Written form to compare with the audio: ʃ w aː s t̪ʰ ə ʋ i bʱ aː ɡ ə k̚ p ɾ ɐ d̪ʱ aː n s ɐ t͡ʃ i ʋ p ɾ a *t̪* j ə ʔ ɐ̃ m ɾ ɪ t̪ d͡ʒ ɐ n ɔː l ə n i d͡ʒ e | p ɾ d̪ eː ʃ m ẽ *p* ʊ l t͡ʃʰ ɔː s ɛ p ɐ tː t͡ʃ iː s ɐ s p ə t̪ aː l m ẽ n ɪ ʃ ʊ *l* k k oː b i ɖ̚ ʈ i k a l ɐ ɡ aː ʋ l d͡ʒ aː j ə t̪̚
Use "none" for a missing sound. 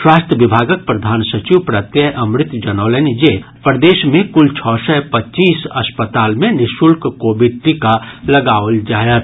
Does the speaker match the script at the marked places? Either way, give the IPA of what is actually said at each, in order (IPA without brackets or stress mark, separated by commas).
t̪, k, l